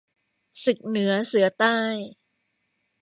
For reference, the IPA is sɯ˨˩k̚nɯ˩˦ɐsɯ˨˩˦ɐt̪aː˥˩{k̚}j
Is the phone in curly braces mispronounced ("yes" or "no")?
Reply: yes